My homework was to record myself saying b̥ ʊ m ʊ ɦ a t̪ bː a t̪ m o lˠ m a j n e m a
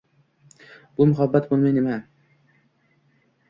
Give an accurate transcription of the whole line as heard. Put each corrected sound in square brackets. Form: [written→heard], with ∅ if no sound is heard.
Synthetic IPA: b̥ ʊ m ʊ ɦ a [t̪→∅] bː a t̪ [m→b] o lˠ m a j n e m a